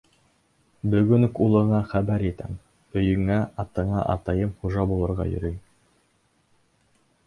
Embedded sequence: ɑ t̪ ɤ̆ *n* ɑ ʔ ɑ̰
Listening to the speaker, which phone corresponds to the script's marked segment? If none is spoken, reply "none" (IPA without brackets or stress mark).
ɴ